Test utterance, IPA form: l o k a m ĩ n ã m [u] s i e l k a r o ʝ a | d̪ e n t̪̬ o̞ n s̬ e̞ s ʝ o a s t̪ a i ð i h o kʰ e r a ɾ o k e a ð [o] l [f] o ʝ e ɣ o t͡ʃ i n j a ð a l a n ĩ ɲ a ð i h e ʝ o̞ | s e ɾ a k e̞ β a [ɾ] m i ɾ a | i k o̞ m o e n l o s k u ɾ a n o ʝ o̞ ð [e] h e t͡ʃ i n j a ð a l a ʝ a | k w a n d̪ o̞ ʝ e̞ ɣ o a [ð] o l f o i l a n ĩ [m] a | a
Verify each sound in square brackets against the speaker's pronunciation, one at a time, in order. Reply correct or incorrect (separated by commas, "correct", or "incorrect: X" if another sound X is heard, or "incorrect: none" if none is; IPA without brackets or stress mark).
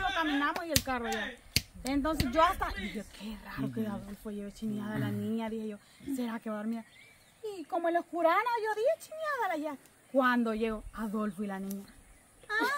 incorrect: o, correct, correct, correct, incorrect: i, correct, incorrect: ɲ